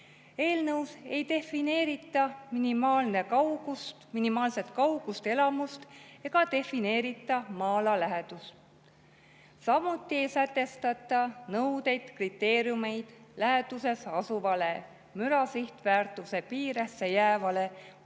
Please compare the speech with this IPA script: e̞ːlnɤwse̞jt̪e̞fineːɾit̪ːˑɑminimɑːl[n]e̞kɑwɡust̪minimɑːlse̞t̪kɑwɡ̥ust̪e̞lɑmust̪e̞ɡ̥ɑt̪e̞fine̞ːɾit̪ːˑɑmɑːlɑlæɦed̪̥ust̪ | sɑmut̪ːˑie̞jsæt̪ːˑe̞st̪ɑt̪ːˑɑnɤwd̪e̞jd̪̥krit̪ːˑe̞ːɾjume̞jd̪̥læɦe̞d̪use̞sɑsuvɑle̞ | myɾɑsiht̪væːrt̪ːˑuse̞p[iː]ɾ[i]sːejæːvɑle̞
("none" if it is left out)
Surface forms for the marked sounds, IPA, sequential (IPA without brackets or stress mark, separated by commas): n, iː, e